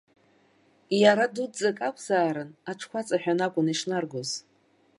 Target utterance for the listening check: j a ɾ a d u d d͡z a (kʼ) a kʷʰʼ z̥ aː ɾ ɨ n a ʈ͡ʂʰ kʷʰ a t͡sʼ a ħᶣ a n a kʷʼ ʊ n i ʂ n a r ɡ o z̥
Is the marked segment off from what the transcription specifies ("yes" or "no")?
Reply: no